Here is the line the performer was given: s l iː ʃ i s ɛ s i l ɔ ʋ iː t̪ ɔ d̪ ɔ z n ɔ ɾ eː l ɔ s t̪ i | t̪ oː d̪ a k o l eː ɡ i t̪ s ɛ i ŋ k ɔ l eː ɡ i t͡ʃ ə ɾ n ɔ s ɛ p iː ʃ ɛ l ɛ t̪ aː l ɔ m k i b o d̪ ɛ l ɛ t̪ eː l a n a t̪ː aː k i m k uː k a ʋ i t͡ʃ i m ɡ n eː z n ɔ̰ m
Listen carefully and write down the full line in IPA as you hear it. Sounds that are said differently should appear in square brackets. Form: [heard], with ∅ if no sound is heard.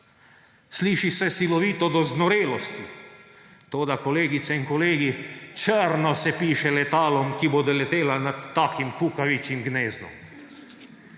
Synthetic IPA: s l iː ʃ i s ɛ s i l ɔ ʋ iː t̪ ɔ d̪ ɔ z n ɔ ɾ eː l ɔ s t̪ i | t̪ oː d̪ a k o l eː ɡ i t̪ s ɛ i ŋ k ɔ l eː ɡ i t͡ʃ ə ɾ n ɔ s ɛ p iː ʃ ɛ l ɛ t̪ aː l ɔ m k i b o d̪ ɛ l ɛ t̪ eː l a n a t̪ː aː k i m k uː k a ʋ i t͡ʃ i m ɡ n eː z n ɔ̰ m